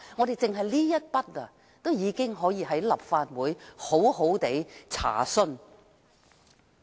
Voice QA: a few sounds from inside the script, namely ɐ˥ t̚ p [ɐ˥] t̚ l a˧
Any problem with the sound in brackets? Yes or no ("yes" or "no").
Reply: no